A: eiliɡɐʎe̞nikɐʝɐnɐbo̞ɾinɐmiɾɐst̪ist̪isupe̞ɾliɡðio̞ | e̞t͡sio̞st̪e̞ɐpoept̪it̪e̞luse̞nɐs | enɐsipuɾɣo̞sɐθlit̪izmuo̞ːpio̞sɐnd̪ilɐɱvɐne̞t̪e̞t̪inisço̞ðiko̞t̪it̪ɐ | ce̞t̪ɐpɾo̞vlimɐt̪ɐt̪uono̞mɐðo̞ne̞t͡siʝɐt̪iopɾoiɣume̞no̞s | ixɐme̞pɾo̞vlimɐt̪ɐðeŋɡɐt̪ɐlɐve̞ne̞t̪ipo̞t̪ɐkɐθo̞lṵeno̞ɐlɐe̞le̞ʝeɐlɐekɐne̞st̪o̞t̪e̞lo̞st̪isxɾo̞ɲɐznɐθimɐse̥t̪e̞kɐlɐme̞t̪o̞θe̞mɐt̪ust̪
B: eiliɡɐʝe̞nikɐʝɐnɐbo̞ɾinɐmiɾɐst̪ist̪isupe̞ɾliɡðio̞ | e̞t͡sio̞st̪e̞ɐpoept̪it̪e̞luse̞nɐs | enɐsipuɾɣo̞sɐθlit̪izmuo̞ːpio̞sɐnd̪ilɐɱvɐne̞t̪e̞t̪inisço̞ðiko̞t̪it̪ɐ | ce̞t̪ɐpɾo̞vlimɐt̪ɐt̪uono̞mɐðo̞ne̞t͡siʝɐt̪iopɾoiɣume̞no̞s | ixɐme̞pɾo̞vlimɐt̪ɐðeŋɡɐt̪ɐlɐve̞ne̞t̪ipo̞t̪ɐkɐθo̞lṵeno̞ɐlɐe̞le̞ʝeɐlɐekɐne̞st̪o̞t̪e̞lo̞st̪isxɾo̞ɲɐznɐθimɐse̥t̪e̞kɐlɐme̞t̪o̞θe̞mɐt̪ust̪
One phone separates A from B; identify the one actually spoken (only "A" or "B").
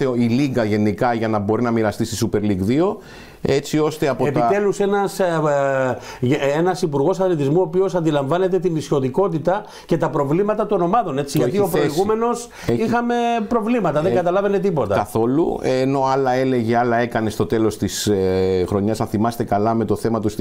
B